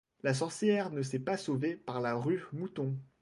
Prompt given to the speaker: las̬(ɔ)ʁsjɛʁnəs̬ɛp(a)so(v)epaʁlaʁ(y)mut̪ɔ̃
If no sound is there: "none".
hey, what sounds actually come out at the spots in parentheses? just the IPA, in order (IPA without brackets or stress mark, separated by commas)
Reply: ɔ, a, v, y